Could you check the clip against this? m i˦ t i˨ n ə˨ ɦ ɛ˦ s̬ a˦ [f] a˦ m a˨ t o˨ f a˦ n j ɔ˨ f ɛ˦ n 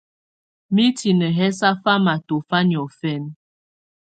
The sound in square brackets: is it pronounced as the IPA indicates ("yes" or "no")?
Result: yes